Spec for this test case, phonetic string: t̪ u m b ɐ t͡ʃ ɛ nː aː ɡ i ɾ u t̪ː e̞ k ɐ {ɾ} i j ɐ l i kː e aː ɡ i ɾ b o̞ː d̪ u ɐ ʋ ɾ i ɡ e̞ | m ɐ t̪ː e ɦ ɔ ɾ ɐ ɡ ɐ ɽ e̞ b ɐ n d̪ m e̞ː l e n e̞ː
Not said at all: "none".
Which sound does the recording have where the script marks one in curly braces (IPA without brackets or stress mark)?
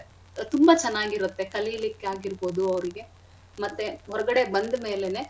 l